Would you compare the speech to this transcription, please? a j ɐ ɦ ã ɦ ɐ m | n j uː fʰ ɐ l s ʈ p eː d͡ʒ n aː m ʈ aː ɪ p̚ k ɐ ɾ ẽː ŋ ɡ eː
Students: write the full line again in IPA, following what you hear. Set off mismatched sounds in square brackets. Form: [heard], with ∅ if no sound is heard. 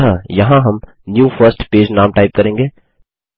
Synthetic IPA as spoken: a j ɐ ɦ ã ɦ ɐ m | n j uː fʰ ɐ [ɾ] s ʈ p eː d͡ʒ n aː m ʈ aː ɪ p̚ k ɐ ɾ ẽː ŋ ɡ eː